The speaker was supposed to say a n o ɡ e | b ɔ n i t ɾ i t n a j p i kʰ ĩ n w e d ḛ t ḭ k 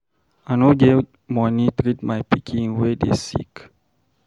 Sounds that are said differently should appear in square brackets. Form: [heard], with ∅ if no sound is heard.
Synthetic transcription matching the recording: a n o ɡ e | [m] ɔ n i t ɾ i t [m] a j p i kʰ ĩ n w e d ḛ [s] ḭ k